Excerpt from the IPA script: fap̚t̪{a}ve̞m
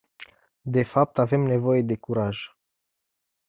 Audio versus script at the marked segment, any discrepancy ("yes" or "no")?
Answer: no